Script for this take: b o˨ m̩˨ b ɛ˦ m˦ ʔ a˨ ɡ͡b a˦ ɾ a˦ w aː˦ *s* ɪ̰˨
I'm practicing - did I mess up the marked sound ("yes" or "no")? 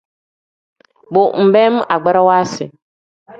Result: no